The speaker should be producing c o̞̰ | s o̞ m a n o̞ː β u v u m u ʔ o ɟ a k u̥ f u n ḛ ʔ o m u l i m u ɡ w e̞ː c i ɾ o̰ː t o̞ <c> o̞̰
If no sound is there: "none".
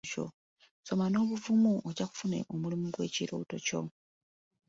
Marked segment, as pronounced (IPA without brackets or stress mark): c